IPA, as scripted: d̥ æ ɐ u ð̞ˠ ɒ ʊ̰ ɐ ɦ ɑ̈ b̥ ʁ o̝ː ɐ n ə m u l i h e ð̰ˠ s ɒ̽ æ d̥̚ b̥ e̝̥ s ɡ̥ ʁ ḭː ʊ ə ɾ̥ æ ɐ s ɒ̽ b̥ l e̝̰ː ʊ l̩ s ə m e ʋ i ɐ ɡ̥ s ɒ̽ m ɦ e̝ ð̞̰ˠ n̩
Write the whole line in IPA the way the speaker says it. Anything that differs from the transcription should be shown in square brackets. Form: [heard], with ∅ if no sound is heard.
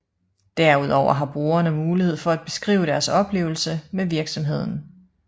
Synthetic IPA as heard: d̥ æ ɐ u ð̞ˠ ɒ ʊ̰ ɐ ɦ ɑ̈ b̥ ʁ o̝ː ɐ n ə m [uː] l i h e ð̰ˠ [f] ɒ̽ æ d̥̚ b̥ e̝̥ s ɡ̥ ʁ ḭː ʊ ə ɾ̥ æ ɐ s ɒ̽ b̥ l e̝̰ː ʊ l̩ s ə m e ʋ i ɐ ɡ̥ s ɒ̽ m ɦ e̝ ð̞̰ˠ n̩